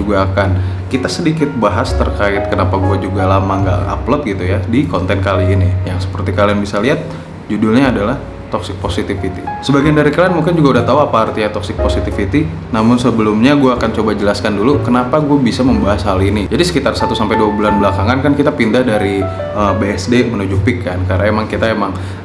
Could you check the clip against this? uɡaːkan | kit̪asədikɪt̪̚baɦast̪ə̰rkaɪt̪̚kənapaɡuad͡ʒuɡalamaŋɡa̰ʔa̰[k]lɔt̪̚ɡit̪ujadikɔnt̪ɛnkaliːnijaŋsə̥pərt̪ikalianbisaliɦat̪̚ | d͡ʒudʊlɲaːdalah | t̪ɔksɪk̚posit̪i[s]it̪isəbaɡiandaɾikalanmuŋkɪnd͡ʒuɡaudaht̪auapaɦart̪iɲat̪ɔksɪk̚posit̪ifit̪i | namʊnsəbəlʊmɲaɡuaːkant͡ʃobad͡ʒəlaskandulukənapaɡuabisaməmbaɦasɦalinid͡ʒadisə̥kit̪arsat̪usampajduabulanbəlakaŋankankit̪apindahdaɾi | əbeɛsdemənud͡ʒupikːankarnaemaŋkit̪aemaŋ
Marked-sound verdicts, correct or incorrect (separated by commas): incorrect, incorrect